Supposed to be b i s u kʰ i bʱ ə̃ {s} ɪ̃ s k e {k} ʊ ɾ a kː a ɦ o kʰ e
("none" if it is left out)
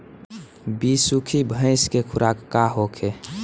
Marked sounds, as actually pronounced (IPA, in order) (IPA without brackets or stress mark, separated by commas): none, kʰ